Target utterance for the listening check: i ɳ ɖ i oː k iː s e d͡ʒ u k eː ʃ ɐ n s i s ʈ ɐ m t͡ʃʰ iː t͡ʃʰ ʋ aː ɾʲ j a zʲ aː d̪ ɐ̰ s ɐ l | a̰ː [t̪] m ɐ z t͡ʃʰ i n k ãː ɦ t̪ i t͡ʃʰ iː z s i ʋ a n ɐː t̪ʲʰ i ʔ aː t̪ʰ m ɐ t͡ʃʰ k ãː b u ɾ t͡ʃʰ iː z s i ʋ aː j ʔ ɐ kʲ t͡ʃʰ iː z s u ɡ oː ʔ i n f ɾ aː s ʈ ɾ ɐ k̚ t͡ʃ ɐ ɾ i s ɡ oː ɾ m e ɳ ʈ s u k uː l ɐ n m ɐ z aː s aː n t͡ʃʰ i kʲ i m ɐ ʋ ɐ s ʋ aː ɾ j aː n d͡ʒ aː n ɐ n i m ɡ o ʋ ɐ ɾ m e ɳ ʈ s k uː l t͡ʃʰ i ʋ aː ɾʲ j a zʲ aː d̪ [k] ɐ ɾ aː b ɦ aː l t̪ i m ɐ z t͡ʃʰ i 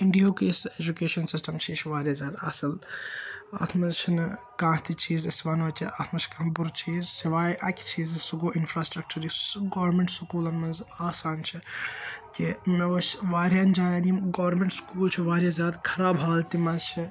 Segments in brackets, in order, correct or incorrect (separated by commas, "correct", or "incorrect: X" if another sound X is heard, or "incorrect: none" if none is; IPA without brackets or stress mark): incorrect: t̪ʰ, incorrect: kʰ